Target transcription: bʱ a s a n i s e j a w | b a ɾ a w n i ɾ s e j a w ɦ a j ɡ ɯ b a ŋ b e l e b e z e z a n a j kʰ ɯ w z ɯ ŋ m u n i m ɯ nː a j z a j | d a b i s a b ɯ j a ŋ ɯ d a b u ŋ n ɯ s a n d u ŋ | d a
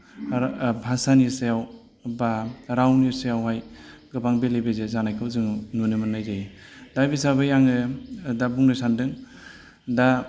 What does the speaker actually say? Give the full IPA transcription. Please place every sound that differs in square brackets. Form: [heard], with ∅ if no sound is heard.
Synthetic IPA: bʱ a s a n i s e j a w | b a ɾ a w n i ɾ s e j a w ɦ a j ɡ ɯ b a ŋ b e l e b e z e z a n a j kʰ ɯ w z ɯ ŋ [n] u n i m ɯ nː a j z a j | d a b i s a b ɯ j a ŋ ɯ d a b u ŋ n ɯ s a n d [ɯ] ŋ | d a